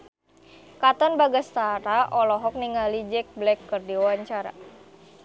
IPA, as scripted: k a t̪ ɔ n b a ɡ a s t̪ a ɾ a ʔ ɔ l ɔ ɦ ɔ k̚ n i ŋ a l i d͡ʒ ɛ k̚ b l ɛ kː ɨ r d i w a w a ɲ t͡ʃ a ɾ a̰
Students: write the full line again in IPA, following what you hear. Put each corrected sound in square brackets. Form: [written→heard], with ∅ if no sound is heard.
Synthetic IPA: k a t̪ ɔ n b a ɡ a s t̪ a ɾ a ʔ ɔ l ɔ ɦ ɔ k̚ n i ŋ a l i d͡ʒ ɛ k̚ b l ɛ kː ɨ r d i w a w a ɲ t͡ʃ a ɾ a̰